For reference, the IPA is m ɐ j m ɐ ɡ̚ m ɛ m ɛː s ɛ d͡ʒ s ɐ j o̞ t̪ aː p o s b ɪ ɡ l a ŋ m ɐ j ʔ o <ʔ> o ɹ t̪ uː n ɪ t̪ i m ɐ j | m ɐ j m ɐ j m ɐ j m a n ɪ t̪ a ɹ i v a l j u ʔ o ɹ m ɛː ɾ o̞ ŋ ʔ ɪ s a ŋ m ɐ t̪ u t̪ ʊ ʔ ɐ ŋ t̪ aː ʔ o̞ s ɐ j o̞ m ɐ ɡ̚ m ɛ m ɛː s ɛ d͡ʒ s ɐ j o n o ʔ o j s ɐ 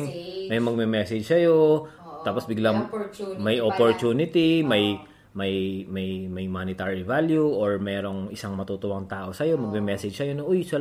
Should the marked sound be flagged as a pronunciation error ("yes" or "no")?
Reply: yes